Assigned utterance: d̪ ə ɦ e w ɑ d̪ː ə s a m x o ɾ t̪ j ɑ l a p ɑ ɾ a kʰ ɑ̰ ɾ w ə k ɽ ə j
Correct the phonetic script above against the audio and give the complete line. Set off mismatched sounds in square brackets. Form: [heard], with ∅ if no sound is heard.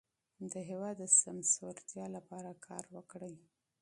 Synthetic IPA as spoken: d̪ ə ɦ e w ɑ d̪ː ə s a m [s] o ɾ t̪ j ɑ l a p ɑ ɾ a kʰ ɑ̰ ɾ w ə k ɽ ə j